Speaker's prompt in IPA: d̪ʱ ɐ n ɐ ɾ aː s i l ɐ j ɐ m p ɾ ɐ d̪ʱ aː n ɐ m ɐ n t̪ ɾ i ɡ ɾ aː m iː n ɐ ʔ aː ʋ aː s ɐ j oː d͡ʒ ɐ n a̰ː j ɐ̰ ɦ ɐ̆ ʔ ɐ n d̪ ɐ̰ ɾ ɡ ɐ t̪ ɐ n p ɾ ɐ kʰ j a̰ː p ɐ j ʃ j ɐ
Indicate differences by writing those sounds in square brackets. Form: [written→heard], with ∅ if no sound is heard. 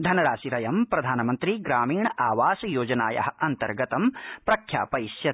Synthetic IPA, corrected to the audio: d̪ʱ ɐ n ɐ ɾ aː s i [l→ɾ] ɐ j ɐ m p ɾ ɐ d̪ʱ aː n ɐ m ɐ n t̪ ɾ i ɡ ɾ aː m iː [n→ɳ] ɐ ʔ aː ʋ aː s ɐ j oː d͡ʒ ɐ n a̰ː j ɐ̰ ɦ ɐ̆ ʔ ɐ n [d̪→t̪] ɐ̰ ɾ ɡ ɐ t̪ ɐ [n→m] p ɾ ɐ kʰ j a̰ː p ɐ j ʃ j ɐ